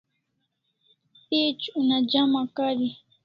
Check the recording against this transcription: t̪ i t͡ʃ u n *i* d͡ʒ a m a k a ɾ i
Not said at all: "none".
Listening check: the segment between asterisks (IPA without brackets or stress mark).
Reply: a